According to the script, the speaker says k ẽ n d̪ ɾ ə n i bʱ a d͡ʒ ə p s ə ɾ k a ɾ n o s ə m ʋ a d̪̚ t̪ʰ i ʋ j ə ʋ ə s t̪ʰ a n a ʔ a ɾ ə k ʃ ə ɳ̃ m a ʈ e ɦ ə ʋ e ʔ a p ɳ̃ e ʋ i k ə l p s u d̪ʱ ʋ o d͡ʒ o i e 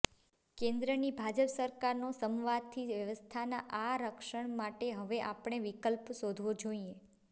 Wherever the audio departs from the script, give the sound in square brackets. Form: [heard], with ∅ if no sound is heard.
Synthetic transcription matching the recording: k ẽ n d̪ ɾ ə n i bʱ a d͡ʒ ə p s ə ɾ k a ɾ n o s ə m ʋ a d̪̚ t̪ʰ i ʋ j ə ʋ ə s t̪ʰ a n a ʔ a ɾ ə k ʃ ə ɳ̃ m a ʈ e ɦ ə ʋ e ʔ a p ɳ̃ e ʋ i k ə l p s [o] d̪ʱ ʋ o d͡ʒ o i e